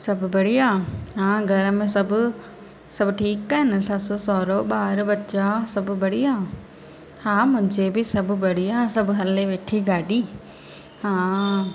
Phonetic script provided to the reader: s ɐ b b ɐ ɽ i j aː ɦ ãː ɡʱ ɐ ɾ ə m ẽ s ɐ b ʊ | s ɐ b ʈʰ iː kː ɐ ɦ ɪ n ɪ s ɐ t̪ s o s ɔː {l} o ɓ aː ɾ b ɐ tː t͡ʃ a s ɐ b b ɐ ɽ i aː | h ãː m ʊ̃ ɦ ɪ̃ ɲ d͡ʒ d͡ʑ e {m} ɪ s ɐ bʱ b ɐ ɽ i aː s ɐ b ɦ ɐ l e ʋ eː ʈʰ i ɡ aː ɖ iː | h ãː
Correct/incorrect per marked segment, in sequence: incorrect: ɾ, incorrect: b

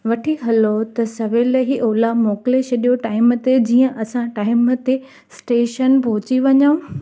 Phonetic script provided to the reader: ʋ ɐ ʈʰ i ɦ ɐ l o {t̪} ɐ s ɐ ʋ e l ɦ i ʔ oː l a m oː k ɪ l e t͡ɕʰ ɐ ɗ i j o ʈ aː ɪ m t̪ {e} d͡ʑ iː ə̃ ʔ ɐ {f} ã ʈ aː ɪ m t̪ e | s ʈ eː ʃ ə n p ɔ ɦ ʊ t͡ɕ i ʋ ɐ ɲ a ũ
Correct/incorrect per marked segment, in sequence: correct, correct, incorrect: s

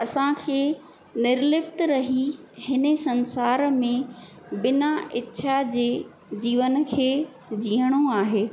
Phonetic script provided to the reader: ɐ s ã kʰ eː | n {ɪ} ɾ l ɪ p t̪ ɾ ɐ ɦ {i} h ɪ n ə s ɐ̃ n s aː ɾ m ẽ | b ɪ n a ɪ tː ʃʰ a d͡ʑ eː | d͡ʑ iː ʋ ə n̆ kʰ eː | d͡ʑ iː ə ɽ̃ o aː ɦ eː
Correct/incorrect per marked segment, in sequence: correct, correct

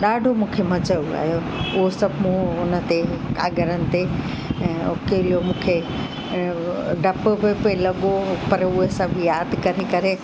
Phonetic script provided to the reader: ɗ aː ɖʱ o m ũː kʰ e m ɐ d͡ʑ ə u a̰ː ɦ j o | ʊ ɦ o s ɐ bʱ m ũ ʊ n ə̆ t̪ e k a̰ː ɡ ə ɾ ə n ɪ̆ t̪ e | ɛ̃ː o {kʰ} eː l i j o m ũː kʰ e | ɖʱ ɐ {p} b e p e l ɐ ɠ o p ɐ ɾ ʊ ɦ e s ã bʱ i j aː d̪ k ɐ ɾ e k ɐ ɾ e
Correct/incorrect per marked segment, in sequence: incorrect: k, correct

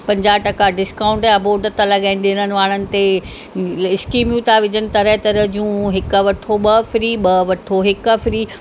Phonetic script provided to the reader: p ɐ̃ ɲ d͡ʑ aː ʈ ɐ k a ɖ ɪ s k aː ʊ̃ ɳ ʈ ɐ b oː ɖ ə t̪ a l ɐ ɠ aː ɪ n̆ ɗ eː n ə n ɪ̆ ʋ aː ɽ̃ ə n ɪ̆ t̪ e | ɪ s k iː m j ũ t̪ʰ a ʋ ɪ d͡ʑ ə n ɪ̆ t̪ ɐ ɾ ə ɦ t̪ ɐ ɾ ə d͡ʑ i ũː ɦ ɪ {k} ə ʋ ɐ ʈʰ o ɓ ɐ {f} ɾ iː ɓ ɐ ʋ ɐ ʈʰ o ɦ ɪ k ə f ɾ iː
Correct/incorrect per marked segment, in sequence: correct, correct

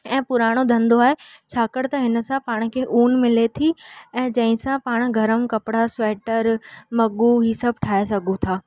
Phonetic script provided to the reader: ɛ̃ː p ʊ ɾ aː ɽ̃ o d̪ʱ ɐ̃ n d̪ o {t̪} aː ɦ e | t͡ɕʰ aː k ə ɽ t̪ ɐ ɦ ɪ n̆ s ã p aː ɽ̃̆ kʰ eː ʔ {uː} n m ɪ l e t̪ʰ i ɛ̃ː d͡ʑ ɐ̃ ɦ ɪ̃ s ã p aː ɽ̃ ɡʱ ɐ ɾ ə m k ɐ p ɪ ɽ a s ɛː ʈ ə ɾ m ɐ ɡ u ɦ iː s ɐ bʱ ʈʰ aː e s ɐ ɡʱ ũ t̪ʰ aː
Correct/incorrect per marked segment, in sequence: incorrect: none, correct

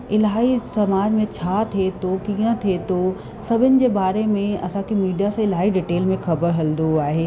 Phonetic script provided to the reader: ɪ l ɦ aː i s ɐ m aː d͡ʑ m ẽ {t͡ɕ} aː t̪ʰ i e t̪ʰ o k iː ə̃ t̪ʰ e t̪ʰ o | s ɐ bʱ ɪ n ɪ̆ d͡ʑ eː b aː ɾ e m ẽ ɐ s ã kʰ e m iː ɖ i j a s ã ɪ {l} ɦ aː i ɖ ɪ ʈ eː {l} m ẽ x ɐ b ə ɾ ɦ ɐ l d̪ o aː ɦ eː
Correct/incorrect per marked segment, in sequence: incorrect: t͡ɕʰ, correct, correct

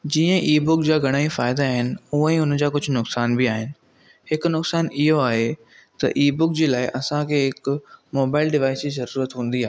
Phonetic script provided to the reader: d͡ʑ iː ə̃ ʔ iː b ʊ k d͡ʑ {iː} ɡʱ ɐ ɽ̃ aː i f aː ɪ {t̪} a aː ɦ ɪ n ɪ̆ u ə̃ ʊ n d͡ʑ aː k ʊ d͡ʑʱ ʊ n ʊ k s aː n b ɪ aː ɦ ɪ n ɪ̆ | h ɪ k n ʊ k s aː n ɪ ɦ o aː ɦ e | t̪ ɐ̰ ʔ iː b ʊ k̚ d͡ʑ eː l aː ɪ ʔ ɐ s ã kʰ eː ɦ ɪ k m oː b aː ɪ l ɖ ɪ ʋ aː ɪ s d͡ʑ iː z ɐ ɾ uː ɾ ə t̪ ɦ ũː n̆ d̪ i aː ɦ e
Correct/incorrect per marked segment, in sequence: incorrect: aː, incorrect: d̪

